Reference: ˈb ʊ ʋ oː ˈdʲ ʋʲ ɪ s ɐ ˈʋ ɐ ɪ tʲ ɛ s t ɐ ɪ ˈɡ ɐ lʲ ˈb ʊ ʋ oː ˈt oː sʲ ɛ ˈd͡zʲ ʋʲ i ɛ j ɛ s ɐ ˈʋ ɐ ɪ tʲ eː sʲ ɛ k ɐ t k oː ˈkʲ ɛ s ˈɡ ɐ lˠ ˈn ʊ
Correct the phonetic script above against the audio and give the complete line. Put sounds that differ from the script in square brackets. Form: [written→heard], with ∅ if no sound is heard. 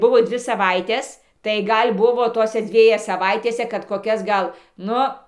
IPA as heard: ˈb ʊ ʋ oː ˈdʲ ʋʲ ɪ s ɐ ˈʋ ɐ ɪ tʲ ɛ s t ɐ ɪ ˈɡ ɐ lʲ ˈb ʊ ʋ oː ˈt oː sʲ ɛ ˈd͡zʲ ʋʲ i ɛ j ɛ s ɐ ˈʋ ɐ ɪ tʲ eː sʲ ɛ k ɐ t k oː ˈkʲ ɛ s ˈɡ ɐ lˠ ˈn ʊ